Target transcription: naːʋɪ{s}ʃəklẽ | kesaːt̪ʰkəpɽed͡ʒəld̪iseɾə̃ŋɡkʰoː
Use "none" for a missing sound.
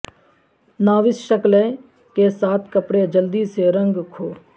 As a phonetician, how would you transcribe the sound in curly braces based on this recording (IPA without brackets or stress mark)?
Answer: s